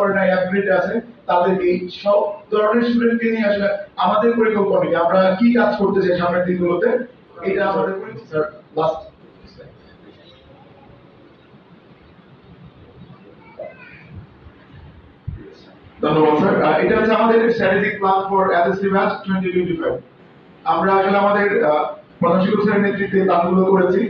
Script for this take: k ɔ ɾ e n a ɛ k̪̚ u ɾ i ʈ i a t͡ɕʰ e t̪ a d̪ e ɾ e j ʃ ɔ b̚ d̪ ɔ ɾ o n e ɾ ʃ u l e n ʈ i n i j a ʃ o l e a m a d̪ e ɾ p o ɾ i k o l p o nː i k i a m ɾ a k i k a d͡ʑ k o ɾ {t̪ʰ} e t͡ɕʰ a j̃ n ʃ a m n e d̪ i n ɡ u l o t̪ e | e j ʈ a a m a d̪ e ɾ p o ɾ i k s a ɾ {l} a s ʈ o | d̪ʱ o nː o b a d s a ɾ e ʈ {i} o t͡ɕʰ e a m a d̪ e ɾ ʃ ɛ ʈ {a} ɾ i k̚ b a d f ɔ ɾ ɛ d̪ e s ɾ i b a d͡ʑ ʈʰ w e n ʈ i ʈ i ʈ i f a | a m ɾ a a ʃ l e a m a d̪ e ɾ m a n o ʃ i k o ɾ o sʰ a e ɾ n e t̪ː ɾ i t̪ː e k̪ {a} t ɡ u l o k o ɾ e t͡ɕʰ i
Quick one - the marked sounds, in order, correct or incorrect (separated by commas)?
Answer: incorrect, correct, incorrect, incorrect, correct